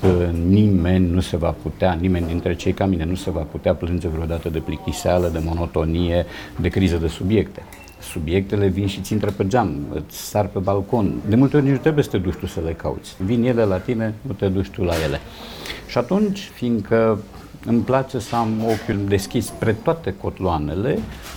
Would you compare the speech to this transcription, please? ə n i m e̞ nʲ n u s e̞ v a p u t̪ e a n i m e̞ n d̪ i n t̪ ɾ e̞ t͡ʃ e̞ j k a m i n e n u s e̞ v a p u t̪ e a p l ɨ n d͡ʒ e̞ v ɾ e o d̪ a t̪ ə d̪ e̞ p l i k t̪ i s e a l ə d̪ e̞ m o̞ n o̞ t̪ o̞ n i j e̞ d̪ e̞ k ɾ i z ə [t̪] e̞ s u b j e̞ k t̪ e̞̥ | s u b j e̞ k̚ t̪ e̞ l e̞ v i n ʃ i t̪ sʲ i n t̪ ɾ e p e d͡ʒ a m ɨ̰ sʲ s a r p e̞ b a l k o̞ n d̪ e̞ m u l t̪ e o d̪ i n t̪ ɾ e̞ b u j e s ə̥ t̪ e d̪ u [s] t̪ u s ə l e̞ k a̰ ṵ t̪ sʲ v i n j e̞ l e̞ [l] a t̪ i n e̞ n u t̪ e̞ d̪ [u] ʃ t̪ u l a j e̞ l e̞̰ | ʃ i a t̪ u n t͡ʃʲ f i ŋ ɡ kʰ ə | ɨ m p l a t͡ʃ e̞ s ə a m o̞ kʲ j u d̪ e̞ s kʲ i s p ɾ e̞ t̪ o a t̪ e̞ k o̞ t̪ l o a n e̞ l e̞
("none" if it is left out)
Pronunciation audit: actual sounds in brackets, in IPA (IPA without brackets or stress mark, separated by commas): d̪, ʃ, l, u